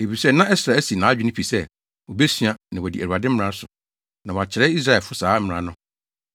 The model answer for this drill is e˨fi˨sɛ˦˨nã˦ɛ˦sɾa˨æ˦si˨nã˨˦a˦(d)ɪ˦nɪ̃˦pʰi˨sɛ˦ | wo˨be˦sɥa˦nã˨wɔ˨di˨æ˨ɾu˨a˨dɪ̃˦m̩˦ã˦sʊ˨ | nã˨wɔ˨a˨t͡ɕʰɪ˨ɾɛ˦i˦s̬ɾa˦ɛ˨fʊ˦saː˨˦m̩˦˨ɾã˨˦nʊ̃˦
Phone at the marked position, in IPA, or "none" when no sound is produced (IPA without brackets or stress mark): d͡ʑᶣ